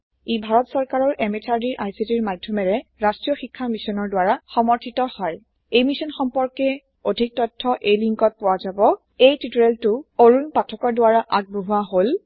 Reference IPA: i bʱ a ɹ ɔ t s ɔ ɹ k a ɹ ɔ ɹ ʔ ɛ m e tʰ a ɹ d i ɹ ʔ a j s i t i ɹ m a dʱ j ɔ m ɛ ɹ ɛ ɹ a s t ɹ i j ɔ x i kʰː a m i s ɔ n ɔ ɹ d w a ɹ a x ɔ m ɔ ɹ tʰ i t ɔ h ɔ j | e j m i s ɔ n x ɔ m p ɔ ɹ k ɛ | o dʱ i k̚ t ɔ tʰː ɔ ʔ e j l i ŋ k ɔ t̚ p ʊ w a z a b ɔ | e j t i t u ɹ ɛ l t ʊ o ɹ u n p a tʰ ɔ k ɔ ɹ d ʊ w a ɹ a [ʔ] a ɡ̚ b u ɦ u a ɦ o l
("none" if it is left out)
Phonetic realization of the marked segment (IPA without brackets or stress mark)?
ʔ